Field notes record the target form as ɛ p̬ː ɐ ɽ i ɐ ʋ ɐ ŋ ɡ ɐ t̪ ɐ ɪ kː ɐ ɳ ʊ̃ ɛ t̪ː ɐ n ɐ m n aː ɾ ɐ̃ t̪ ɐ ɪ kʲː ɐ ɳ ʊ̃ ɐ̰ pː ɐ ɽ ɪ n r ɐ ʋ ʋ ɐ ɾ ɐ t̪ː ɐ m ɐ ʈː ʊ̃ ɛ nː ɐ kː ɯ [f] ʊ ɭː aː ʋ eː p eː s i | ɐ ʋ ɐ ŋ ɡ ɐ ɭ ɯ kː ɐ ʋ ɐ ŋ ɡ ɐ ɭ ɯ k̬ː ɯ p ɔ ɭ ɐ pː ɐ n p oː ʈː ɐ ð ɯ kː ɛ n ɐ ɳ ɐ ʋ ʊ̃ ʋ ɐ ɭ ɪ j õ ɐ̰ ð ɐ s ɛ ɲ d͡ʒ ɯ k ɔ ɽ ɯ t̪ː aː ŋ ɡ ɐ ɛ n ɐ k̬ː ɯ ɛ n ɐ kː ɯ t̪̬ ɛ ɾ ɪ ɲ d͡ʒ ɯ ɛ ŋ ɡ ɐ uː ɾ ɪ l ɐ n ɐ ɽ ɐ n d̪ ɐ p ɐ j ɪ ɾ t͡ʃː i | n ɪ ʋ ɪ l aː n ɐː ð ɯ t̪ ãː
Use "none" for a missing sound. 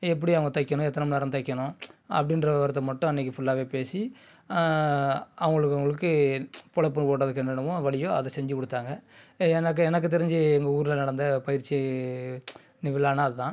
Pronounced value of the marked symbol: f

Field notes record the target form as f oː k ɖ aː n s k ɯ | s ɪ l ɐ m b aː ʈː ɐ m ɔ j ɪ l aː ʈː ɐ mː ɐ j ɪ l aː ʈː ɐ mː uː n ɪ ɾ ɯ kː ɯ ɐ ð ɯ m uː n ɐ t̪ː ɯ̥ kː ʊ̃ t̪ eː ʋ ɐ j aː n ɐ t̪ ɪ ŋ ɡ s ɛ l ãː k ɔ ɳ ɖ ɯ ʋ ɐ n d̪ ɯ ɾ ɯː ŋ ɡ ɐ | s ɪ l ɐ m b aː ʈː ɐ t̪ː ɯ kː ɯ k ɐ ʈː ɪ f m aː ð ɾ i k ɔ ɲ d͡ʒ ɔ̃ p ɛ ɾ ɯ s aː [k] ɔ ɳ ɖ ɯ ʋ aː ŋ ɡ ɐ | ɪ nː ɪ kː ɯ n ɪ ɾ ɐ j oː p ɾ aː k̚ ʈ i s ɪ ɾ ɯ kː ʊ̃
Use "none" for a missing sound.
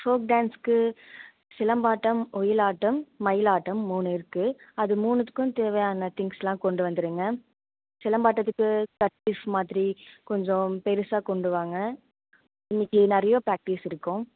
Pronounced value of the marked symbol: k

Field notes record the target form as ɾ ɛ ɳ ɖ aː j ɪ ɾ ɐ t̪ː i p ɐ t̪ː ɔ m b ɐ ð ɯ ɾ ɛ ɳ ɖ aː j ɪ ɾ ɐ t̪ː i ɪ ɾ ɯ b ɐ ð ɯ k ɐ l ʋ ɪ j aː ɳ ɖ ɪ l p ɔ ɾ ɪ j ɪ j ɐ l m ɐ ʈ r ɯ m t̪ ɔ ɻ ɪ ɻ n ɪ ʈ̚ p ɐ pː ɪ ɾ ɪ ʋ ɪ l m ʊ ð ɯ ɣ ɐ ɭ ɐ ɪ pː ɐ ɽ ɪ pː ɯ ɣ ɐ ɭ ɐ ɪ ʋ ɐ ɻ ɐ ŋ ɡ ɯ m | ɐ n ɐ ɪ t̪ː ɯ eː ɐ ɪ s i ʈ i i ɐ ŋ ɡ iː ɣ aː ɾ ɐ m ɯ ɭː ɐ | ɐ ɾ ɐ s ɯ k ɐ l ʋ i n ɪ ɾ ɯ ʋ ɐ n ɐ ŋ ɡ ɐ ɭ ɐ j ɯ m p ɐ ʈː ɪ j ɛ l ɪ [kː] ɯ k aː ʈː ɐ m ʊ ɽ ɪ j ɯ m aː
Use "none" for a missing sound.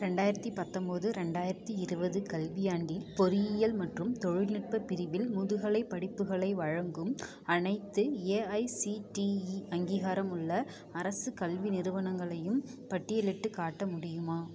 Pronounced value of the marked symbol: ʈː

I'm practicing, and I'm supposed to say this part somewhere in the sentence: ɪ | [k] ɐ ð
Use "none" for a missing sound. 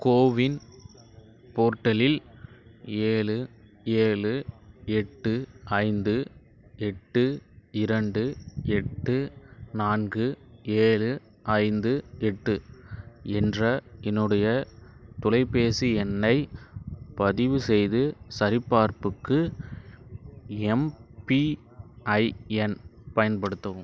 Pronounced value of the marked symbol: p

